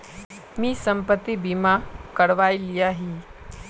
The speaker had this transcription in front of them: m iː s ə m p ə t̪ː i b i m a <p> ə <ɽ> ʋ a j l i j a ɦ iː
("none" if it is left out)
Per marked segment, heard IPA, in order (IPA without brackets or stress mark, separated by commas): k, ɽ